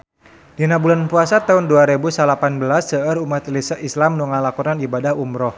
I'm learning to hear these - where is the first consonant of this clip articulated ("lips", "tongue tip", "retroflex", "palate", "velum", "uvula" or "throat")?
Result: tongue tip